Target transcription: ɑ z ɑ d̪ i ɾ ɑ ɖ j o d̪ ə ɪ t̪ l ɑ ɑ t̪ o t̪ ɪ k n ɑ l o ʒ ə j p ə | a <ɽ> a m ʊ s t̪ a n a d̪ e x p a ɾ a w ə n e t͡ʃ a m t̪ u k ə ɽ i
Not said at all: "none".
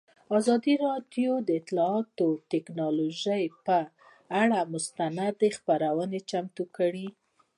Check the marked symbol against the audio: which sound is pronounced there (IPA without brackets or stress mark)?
ɽ